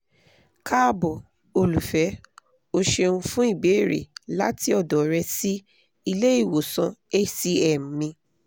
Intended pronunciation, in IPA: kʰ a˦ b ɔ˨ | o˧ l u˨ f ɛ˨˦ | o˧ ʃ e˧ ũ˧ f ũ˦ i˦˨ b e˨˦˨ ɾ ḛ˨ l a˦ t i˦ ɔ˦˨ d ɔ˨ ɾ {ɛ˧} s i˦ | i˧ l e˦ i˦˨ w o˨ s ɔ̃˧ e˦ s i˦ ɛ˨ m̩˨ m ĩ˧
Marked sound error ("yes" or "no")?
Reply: no